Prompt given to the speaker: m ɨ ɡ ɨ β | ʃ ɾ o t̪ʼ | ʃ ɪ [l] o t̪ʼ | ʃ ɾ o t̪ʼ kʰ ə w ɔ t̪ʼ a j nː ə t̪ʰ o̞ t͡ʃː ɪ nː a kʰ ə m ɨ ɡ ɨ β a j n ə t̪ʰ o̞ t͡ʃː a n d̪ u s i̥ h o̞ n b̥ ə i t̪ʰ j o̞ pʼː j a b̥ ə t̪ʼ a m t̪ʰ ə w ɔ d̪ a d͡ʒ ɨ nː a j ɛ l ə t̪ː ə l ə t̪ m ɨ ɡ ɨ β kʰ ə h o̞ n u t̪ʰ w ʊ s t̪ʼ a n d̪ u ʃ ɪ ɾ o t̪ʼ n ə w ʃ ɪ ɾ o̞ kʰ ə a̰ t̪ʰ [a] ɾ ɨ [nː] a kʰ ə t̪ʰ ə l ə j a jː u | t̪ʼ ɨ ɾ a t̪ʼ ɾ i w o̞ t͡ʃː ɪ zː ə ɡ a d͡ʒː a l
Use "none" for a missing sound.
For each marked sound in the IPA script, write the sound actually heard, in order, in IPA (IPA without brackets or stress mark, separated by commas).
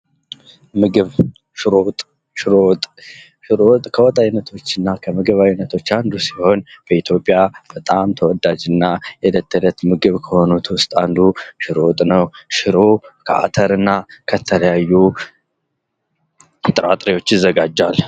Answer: ɾ, ə, nː